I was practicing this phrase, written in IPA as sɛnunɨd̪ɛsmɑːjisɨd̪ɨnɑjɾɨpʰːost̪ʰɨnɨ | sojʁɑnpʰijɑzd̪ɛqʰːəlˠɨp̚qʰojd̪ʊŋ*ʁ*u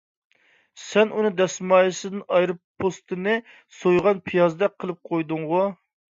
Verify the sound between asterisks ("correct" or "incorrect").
correct